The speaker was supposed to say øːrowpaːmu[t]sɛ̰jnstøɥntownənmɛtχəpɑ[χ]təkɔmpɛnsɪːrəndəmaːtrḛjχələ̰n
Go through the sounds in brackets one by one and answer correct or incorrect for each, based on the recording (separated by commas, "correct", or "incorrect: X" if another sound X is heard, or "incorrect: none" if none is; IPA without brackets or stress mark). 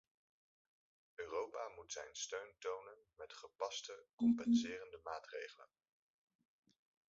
correct, incorrect: s